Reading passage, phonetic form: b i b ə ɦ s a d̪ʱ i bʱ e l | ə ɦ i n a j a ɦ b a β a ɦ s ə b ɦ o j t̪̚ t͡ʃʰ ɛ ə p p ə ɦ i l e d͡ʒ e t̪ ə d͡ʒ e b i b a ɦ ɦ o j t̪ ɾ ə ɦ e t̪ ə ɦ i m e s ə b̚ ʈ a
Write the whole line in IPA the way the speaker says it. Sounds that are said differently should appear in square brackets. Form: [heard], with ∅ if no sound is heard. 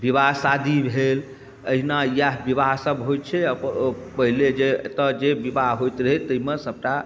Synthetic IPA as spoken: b i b [a] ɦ s a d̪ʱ i bʱ e l | ə ɦ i n a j a ɦ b [i] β a ɦ s ə b ɦ o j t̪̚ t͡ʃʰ ɛ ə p p ə ɦ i l e d͡ʒ e t̪ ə d͡ʒ e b i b a ɦ ɦ o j t̪ ɾ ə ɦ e t̪ ə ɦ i m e s ə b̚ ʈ a

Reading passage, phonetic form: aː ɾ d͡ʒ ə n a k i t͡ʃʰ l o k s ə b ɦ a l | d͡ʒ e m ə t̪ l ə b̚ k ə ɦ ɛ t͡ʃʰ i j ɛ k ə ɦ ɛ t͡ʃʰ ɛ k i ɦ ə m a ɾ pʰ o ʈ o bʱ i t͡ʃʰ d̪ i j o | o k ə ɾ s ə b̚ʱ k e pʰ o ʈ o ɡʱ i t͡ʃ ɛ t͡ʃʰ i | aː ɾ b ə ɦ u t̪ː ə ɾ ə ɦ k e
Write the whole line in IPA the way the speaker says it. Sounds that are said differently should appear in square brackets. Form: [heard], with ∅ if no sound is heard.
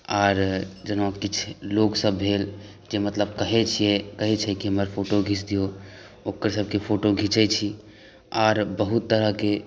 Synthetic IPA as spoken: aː ɾ d͡ʒ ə n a k i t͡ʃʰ l o k s ə b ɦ [e] l | d͡ʒ e m ə t̪ l ə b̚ k ə ɦ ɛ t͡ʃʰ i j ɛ k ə ɦ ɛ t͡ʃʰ ɛ k i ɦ ə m [ə] ɾ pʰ o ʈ o [ɡʱ] i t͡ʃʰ d̪ i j o | o k ə ɾ s ə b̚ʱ k e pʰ o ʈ o ɡʱ i t͡ʃ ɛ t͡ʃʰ i | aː ɾ b ə ɦ u t̪ː ə ɾ ə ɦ k e

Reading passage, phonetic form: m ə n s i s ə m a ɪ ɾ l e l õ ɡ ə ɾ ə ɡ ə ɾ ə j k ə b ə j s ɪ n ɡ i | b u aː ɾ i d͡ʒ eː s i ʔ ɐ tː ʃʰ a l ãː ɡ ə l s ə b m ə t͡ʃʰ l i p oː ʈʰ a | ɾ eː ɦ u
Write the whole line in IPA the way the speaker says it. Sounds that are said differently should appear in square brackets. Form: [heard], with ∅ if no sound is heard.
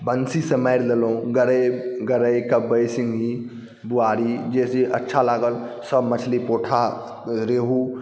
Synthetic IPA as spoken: [b] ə n s i s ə m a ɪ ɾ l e l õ ɡ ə ɾ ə ɡ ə ɾ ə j k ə b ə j s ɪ [ŋ] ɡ i | b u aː ɾ i d͡ʒ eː s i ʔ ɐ tː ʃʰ a l [aː] ɡ ə l s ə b m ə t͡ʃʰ l i p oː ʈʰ a | ɾ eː ɦ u

